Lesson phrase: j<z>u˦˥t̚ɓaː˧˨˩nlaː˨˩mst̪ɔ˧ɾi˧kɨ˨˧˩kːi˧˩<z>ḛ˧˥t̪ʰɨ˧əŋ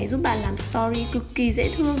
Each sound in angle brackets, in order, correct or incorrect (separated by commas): correct, correct